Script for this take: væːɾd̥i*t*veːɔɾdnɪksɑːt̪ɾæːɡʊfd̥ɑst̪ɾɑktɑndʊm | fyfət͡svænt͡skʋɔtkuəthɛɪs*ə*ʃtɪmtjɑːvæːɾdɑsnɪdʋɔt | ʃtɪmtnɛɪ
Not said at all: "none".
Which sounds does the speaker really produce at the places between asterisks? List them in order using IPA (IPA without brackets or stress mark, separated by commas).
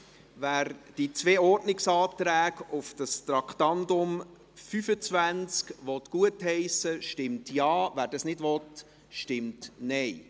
t͡s, ə